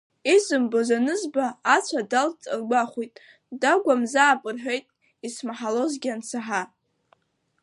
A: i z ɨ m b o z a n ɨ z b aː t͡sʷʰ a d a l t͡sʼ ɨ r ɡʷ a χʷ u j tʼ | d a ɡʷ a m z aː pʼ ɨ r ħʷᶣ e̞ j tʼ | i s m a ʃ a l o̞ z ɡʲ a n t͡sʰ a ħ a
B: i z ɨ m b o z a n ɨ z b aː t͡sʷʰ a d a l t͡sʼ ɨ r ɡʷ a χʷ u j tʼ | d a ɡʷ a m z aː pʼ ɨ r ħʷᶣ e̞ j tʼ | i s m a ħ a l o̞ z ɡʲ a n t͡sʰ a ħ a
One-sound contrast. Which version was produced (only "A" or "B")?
B